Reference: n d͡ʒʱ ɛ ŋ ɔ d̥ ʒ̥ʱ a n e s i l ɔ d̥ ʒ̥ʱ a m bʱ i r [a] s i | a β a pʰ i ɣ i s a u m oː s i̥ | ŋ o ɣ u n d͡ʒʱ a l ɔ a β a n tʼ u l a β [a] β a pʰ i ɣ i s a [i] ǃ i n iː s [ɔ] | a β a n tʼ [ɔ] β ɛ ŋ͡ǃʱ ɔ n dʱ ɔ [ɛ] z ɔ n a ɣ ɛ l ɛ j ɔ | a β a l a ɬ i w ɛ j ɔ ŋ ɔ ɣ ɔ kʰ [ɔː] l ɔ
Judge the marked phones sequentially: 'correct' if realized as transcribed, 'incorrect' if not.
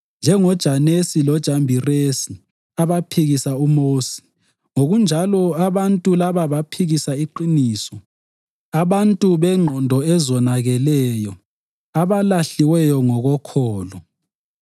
incorrect: e, correct, correct, correct, incorrect: u, correct, correct

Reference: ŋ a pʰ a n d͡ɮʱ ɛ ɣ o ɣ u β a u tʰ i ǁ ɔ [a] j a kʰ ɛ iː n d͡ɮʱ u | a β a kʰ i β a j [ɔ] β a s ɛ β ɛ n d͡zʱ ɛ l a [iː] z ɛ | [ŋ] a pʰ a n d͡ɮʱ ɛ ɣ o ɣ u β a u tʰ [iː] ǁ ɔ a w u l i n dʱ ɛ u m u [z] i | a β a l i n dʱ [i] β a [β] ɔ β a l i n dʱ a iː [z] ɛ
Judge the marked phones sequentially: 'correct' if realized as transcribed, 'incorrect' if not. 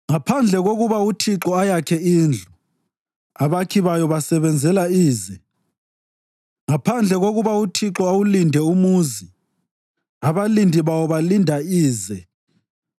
correct, correct, correct, correct, incorrect: i, correct, correct, incorrect: w, correct

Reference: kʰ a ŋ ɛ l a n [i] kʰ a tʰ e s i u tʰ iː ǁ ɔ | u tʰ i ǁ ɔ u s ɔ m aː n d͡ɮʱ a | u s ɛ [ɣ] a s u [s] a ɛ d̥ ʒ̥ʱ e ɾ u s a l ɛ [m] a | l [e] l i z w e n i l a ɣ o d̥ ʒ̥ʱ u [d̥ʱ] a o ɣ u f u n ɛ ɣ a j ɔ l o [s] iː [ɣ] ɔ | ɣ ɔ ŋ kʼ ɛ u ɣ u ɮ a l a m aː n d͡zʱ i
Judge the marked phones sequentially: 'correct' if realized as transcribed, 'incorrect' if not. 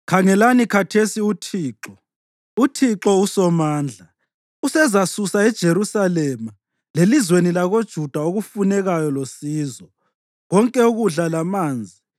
correct, incorrect: z, correct, correct, correct, correct, correct, incorrect: z

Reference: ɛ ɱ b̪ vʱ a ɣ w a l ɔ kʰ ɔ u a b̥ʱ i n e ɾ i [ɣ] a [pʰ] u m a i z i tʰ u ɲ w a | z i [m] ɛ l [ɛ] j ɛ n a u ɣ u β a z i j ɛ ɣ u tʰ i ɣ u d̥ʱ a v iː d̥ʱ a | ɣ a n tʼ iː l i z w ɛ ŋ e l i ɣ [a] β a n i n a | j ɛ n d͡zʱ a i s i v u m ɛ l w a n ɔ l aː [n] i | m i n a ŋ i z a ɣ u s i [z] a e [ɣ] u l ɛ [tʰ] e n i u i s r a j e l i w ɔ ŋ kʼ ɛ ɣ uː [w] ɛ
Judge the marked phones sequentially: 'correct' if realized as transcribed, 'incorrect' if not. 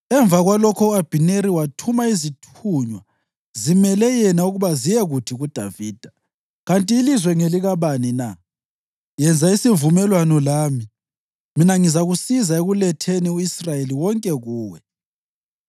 incorrect: w, incorrect: tʰ, correct, correct, correct, incorrect: m, correct, correct, correct, correct

